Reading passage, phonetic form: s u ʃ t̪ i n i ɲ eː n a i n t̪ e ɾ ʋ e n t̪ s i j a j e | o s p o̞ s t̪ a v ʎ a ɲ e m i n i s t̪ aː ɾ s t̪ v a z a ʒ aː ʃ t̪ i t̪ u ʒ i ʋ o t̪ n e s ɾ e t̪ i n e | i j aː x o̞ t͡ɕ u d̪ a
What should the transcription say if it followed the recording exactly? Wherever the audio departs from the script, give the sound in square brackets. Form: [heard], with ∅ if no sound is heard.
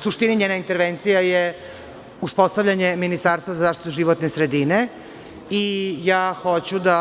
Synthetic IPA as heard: s u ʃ t̪ i n i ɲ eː n a i n t̪ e ɾ ʋ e n t̪ s i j a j e | [u] s p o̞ s t̪ a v ʎ a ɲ e m i n i s t̪ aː ɾ s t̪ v a z a [z] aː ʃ t̪ i t̪ u ʒ i ʋ o t̪ n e s ɾ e [d̪] i n e | i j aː x o̞ t͡ɕ u d̪ a

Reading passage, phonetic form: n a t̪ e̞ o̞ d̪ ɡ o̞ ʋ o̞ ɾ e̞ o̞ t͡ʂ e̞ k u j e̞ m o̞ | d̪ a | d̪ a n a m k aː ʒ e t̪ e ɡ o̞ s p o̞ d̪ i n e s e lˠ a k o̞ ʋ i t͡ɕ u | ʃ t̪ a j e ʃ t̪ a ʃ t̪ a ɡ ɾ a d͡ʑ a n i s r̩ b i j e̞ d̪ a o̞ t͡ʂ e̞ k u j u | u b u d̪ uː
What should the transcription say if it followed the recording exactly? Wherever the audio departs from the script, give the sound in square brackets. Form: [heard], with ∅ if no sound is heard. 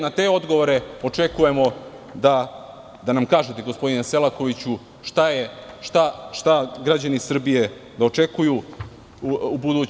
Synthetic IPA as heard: n a t̪ e̞ o̞ d̪ ɡ o̞ ʋ o̞ ɾ e̞ o̞ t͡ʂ e̞ k u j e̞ m o̞ | d̪ a | d̪ a n a m k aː ʒ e t̪ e ɡ o̞ s p o̞ d̪ i n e s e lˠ a k o̞ ʋ i t͡ɕ u | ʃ t̪ a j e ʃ t̪ a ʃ t̪ a ɡ ɾ a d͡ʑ a n i s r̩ b i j e̞ d̪ a o̞ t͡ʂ e̞ k u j u | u b u d̪ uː

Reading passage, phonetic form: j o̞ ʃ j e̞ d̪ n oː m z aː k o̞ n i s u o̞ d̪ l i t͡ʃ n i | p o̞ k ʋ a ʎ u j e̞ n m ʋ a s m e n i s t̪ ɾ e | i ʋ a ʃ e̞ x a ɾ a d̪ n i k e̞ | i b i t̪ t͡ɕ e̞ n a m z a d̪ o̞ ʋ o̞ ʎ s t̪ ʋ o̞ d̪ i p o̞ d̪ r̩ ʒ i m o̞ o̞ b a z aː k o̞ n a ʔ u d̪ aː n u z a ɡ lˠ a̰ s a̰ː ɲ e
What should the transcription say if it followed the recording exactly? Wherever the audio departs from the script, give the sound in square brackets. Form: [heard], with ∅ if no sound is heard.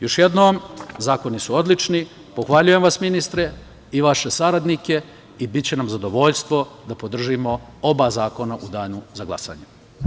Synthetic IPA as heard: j o̞ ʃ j e̞ d̪ n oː m z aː k o̞ n i s u o̞ d̪ l i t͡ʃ n i | p o̞ [x] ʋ a ʎ u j e̞ [∅] m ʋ a s m [i] n i s t̪ ɾ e | i ʋ a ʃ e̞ [s] a ɾ a d̪ n i k e̞ | i b i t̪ t͡ɕ e̞ n a m z a d̪ o̞ ʋ o̞ ʎ s t̪ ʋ o̞ d̪ [a] p o̞ d̪ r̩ ʒ i m o̞ o̞ b a z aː k o̞ n a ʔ u d̪ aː n u z a ɡ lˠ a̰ s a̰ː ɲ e

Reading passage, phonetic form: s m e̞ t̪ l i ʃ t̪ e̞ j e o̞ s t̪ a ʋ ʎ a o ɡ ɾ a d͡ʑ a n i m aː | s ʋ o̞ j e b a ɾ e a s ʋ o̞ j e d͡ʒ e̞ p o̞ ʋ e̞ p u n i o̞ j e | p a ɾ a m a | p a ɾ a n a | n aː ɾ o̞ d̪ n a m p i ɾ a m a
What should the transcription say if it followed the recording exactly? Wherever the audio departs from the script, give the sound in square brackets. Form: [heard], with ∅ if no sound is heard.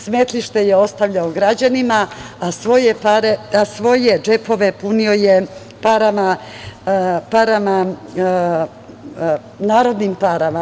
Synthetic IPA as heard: s m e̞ t̪ l i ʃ t̪ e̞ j e o̞ s t̪ a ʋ ʎ a o ɡ ɾ a d͡ʑ a n i m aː | s ʋ o̞ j e [p] a ɾ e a s ʋ o̞ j e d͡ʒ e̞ p o̞ ʋ e̞ p u n i o̞ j e | p a ɾ a m a | p a ɾ a [m] a | n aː ɾ o̞ d̪ n [i] m p [a] ɾ a m a

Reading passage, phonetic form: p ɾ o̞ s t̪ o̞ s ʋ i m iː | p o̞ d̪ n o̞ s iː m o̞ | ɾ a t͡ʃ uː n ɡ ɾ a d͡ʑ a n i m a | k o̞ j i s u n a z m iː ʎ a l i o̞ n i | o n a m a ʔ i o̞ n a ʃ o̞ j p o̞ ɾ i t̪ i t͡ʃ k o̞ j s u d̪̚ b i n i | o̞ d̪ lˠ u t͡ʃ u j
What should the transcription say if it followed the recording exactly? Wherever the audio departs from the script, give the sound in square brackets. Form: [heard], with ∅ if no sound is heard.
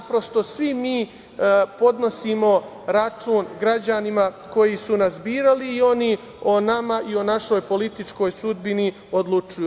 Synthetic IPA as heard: p ɾ o̞ s t̪ o̞ s ʋ i m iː | p o̞ d̪ n o̞ s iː m o̞ | ɾ a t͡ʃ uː n ɡ ɾ a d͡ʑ a n i m a | k o̞ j i s u n a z [b] iː [ɾ] a l [iː] o̞ n i | o n a m a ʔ i o̞ n a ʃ o̞ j p o̞ [l] i t̪ i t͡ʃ k o̞ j s u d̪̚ b i n i | o̞ d̪ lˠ u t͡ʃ u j

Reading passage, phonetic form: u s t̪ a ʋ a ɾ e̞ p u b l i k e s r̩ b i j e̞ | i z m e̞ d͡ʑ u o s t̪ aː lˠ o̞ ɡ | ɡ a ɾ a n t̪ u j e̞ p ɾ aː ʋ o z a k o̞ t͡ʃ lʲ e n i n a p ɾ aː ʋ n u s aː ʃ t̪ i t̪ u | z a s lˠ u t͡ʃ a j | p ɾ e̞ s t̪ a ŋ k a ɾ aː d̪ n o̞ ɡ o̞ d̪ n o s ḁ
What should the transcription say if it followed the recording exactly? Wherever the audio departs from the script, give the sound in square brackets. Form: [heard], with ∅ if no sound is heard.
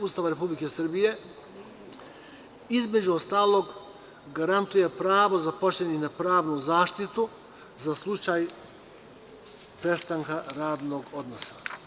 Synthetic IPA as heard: u s t̪ a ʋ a ɾ e̞ p u b l i k e s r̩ b i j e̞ | i z m e̞ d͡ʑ u o s t̪ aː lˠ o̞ ɡ | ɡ a ɾ a n t̪ u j e̞ p ɾ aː ʋ o z a [p] o̞ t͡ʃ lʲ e n i n a p ɾ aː ʋ n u [z] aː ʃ t̪ i t̪ u | z a s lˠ u t͡ʃ a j | p ɾ e̞ s t̪ a ŋ k a ɾ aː d̪ n o̞ ɡ o̞ d̪ n o s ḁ

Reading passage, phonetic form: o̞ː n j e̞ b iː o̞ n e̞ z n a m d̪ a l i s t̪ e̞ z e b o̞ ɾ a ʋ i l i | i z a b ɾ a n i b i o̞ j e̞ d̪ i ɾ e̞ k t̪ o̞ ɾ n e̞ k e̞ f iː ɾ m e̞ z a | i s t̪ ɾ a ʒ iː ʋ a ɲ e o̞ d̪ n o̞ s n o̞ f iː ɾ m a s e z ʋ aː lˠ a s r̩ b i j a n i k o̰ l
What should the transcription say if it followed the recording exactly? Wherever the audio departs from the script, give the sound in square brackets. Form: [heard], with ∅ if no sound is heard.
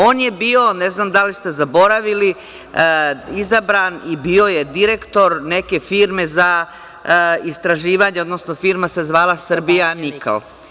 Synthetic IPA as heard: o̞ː n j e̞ b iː o̞ n e̞ z n a m d̪ a l i s t̪ e̞ z [a] b o̞ ɾ a ʋ i l i | i z a b ɾ a n i b i o̞ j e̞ d̪ i ɾ e̞ k t̪ o̞ ɾ n e̞ k e̞ f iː ɾ m e̞ z a | i s t̪ ɾ a ʒ iː ʋ a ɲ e o̞ d̪ n o̞ s n o̞ f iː ɾ m a s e z ʋ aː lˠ a s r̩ b i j a n i k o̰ l

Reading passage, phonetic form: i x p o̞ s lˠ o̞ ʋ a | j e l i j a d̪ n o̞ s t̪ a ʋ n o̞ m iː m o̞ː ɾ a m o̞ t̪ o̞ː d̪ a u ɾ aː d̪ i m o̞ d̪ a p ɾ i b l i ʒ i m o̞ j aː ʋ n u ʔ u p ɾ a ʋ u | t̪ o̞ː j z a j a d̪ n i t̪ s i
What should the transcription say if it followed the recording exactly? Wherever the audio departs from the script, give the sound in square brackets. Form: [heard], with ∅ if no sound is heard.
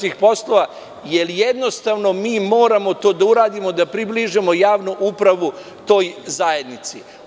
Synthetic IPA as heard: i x p o̞ s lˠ o̞ ʋ a | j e l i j [e] d̪ n o̞ s t̪ a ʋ n o̞ m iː m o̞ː ɾ a m o̞ t̪ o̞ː d̪ a u ɾ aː d̪ i m o̞ d̪ a p ɾ i b l i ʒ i m o̞ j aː ʋ n u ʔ u p ɾ a ʋ u | t̪ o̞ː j z a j [e] d̪ n i t̪ s i

